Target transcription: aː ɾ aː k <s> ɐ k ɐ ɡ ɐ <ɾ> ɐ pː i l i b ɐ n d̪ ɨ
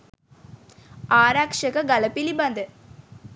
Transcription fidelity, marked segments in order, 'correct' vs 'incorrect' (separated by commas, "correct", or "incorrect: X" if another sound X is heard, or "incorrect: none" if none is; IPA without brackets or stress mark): incorrect: ʂ, incorrect: l